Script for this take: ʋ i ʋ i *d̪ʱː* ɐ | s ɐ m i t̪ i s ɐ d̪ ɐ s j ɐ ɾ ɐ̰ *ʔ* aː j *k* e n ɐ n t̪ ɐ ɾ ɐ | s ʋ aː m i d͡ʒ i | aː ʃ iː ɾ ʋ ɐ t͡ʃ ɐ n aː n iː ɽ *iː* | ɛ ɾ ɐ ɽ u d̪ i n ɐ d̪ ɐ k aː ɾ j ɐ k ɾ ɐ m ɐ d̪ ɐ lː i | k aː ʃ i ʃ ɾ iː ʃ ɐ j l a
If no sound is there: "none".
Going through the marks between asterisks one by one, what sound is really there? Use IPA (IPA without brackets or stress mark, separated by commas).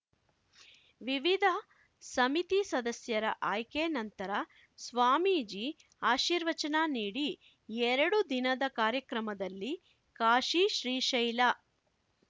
d̪ʱ, ʔ, k, i